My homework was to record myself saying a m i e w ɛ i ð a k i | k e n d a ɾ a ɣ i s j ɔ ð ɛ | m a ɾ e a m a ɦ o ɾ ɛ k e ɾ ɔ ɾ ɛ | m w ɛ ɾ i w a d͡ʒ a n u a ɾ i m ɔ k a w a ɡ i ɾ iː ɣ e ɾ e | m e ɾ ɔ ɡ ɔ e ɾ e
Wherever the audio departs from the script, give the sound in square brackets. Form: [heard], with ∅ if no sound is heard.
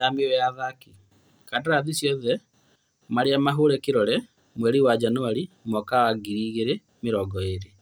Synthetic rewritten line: a m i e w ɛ [a] ð a k i | k [a] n d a ɾ a [ð] i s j ɔ ð ɛ | m a ɾ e a m a ɦ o ɾ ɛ k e ɾ ɔ ɾ ɛ | m w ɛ ɾ i w a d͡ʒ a n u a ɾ i m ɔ k a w a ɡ i ɾ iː ɣ e ɾ e | m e ɾ ɔ ɡ ɔ e ɾ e